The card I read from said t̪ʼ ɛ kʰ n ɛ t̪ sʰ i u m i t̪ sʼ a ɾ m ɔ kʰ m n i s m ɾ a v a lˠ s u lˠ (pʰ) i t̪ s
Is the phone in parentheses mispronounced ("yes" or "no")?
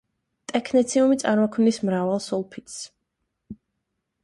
no